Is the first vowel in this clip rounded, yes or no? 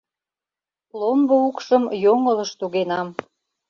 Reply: yes